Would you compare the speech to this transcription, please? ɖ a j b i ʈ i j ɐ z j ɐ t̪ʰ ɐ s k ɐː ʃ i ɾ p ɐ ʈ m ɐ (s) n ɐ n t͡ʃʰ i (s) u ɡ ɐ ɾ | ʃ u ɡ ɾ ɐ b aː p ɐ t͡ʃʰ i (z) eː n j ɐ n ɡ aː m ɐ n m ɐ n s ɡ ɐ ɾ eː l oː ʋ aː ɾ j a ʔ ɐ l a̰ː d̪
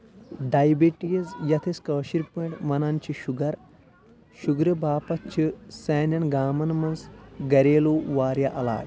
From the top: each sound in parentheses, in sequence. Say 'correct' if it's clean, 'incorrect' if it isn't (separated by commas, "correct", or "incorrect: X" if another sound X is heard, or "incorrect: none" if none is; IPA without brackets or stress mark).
incorrect: none, incorrect: ʃ, incorrect: s